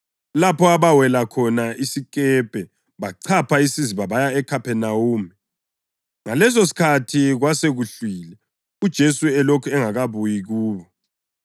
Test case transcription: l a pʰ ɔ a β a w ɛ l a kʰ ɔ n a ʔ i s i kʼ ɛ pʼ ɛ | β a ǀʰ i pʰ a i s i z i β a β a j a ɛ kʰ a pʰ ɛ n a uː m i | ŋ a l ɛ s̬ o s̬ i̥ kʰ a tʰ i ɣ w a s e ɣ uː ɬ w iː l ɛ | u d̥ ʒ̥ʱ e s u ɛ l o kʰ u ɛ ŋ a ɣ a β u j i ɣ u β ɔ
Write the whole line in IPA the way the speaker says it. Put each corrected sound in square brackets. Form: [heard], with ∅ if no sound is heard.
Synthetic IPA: l a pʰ ɔ a β a w ɛ l a kʰ ɔ n a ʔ i s i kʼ ɛ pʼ ɛ | β a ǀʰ [a] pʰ a i s i z i β a β a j a ɛ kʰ a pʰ ɛ n a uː m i | ŋ a l ɛ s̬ o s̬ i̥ kʰ a tʰ i ɣ w a s e ɣ [u] ɬ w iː l ɛ | u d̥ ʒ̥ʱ e s u ɛ l o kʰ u ɛ ŋ a ɣ a β u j i ɣ [uː] β ɔ